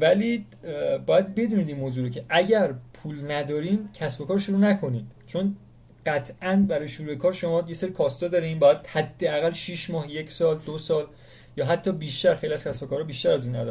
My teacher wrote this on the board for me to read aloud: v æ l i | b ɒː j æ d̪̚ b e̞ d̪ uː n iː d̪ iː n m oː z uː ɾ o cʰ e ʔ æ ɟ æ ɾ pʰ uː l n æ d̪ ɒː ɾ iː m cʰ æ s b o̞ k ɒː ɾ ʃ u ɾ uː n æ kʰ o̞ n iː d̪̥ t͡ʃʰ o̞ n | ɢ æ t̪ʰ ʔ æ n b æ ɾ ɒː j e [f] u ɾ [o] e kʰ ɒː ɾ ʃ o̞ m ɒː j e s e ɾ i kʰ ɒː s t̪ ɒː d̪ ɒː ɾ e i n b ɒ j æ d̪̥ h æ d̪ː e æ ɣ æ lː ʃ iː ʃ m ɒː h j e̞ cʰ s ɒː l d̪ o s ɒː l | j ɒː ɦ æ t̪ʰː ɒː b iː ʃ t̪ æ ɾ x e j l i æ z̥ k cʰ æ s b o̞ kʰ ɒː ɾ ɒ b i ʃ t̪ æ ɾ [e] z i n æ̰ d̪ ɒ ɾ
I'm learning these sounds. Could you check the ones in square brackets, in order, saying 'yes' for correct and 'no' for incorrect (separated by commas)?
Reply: no, no, no